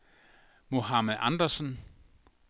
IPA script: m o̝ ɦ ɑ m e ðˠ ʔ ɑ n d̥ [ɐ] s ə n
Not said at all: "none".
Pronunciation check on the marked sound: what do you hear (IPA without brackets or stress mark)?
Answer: ɐ